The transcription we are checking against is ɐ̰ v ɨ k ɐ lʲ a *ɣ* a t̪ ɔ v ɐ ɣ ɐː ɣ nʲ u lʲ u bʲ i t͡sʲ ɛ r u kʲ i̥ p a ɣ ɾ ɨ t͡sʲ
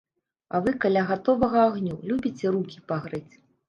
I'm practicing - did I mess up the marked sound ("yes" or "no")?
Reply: no